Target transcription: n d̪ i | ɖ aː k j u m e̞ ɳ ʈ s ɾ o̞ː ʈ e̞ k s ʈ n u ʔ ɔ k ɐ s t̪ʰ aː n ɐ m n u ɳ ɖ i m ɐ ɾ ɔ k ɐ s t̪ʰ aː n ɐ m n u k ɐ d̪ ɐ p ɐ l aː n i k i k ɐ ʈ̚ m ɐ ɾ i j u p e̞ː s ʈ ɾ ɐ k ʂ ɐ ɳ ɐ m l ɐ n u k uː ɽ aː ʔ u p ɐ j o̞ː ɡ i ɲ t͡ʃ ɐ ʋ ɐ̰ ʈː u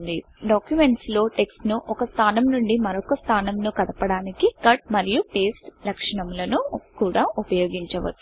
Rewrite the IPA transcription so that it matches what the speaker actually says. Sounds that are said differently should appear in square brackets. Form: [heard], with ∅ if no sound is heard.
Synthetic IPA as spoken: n d̪ i | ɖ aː k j u m e̞ ɳ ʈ s [l] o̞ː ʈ e̞ k s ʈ n u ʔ ɔ k ɐ s t̪ʰ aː n ɐ m n u ɳ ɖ i m ɐ ɾ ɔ k ɐ s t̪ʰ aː n ɐ m n u k ɐ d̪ ɐ p ɐ [ɽ] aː n i k i k ɐ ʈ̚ m ɐ ɾ i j u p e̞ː s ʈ [l] ɐ k ʂ ɐ ɳ ɐ m l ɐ n u k uː ɽ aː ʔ u p ɐ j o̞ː ɡ i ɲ t͡ʃ ɐ ʋ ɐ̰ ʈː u